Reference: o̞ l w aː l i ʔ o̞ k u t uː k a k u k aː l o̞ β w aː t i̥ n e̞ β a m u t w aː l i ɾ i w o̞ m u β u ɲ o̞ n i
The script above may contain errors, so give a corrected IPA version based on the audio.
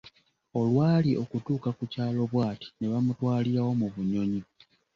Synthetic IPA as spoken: o̞ l w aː l i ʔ o̞ k u t uː k a k u c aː l o̞ β w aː t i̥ n e̞ β a m u t w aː l i ɾ a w o̞ m u β u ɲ o̞ ɲ i